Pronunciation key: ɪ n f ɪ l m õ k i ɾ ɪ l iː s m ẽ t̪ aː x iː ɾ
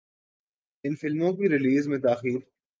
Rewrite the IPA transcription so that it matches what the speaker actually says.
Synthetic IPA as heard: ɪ n f ɪ l m õ k i ɾ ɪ l iː z m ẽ t̪ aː x iː ɾ